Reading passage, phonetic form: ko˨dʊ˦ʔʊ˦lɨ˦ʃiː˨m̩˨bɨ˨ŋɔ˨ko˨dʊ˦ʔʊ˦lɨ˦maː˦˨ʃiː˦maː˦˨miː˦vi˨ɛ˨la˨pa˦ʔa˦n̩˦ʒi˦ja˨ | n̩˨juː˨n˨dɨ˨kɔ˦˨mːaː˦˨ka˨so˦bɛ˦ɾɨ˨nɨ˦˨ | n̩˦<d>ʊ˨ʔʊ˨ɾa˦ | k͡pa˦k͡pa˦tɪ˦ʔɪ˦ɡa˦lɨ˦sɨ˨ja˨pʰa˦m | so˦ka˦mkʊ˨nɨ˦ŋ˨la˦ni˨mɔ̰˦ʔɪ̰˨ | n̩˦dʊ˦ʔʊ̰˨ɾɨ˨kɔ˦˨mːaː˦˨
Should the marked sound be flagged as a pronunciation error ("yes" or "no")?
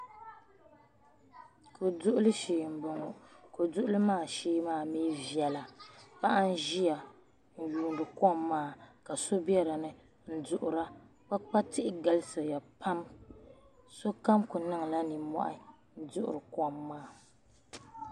no